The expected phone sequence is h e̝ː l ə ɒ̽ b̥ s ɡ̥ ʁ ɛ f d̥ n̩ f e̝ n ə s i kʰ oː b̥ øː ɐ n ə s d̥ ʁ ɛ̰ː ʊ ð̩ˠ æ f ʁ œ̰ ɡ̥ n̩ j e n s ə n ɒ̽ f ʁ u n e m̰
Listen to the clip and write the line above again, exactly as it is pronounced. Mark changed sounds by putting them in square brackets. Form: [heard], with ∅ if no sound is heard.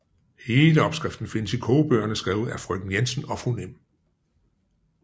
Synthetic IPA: h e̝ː l ə ɒ̽ b̥ s ɡ̥ ʁ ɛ f d̥ n̩ f e̝ n ə s i kʰ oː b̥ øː ɐ n ə s [ɡ̥] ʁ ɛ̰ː ʊ ð̩ˠ æ f ʁ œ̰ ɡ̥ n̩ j e n s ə n ɒ̽ f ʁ u n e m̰